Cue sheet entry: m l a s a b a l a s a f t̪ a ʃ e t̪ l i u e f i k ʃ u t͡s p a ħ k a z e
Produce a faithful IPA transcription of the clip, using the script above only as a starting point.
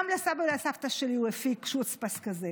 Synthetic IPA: m l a s a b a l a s a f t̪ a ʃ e l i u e f i k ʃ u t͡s p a s k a z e